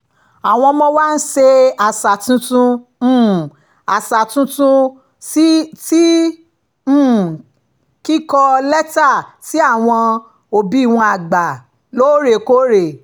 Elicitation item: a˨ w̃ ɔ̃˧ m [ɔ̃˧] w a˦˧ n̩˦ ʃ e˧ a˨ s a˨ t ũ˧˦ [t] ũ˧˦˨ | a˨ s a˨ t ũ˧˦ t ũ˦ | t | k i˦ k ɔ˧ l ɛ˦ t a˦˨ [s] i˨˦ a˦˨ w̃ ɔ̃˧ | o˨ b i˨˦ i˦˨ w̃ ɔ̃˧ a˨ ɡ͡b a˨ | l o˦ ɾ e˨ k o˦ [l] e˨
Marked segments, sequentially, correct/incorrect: correct, correct, incorrect, incorrect

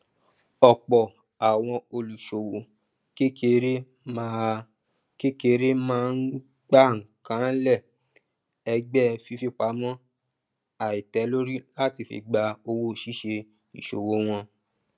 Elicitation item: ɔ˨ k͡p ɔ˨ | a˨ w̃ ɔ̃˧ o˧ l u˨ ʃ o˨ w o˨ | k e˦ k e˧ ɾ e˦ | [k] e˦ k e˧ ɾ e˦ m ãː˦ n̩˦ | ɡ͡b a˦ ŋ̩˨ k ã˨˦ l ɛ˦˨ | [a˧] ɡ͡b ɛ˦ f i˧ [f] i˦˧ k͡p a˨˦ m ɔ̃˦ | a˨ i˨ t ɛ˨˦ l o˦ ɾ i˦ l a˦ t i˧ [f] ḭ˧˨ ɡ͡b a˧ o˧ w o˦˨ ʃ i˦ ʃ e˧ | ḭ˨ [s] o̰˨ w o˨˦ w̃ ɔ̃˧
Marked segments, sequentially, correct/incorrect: correct, incorrect, correct, correct, incorrect

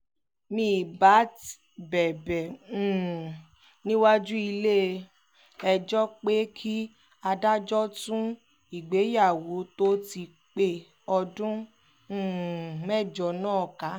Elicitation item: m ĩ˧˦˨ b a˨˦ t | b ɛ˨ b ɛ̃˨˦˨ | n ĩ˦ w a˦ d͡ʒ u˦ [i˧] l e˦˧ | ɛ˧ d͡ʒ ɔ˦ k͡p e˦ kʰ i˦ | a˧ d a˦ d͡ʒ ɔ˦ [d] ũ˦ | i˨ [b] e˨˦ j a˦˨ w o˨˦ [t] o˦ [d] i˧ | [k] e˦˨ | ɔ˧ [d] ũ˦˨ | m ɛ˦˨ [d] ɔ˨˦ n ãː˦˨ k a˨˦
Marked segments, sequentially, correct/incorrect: correct, incorrect, incorrect, correct, incorrect, incorrect, correct, incorrect

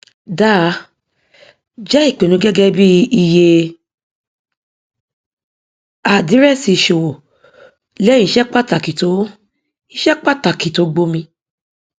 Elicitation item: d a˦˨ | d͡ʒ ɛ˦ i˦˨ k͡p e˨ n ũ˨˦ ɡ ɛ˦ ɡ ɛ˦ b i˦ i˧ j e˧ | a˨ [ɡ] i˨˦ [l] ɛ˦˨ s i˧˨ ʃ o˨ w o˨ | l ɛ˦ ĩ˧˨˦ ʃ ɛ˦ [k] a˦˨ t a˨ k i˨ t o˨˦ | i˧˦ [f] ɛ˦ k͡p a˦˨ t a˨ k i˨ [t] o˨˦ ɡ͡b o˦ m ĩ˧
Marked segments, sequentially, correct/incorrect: incorrect, incorrect, incorrect, incorrect, correct

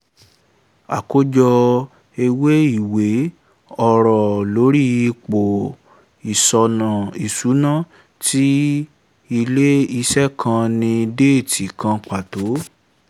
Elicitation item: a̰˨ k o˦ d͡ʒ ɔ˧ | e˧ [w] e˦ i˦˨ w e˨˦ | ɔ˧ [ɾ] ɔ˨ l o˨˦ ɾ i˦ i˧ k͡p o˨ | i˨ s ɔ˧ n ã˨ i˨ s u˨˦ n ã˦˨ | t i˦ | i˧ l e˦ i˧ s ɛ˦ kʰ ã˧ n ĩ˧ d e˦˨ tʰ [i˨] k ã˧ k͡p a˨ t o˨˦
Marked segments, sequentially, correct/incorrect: correct, correct, correct

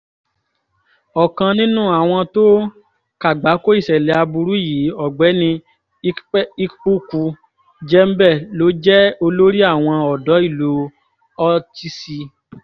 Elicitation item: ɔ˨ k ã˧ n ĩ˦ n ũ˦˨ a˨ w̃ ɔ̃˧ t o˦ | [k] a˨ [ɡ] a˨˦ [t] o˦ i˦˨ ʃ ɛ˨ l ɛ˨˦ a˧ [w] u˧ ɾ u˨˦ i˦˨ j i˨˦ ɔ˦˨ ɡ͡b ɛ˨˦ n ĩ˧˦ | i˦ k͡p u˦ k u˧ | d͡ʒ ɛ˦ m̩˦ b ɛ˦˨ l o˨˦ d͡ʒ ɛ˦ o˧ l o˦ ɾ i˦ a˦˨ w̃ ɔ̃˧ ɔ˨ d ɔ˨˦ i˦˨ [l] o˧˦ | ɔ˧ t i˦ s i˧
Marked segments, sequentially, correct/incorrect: correct, incorrect, incorrect, incorrect, correct

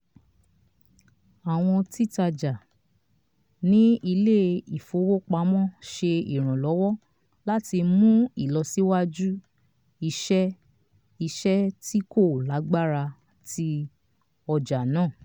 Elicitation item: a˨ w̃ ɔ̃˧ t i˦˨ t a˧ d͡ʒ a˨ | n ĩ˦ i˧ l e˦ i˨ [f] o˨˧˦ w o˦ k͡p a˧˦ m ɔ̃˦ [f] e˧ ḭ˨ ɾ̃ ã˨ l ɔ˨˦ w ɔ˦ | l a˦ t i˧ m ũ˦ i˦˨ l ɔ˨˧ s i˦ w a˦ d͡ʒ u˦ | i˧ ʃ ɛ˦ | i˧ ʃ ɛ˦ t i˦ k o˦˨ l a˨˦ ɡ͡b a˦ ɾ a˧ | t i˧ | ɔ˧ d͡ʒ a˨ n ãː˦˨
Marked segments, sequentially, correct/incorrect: correct, incorrect

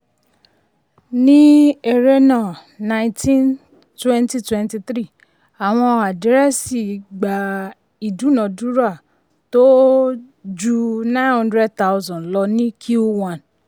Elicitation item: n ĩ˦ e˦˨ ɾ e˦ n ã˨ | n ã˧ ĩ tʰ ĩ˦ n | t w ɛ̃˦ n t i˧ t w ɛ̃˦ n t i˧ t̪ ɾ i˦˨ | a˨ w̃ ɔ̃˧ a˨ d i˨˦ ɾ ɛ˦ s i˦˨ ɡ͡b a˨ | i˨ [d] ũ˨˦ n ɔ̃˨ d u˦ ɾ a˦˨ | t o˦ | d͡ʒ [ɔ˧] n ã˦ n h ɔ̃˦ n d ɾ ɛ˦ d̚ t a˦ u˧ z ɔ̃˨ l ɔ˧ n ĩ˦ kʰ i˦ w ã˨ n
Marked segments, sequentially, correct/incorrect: correct, incorrect

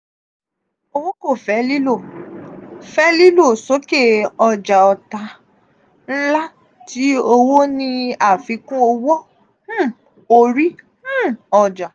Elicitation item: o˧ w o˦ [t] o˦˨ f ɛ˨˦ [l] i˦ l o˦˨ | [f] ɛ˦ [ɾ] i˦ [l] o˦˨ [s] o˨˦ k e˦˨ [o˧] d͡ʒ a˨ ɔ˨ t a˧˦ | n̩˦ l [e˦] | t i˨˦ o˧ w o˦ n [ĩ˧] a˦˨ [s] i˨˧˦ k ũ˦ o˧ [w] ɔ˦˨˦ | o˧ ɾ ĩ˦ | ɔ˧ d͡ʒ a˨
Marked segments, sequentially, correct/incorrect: incorrect, correct, correct, incorrect, correct, correct, incorrect, incorrect, correct, incorrect, correct

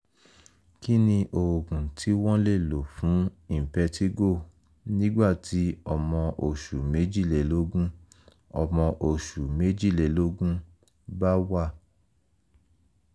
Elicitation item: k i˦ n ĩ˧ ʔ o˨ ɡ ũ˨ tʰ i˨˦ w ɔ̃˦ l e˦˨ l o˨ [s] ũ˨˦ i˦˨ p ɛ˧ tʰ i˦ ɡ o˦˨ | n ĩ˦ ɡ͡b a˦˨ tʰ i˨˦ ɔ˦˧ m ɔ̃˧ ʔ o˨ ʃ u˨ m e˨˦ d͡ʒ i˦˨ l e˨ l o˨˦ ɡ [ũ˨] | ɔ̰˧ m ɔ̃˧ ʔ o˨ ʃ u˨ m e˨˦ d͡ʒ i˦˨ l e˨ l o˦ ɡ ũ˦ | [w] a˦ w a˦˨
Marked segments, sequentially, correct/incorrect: incorrect, incorrect, incorrect

